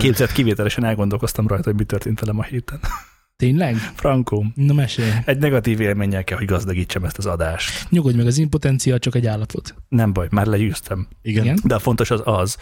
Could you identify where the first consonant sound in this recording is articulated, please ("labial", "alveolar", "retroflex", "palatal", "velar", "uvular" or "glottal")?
velar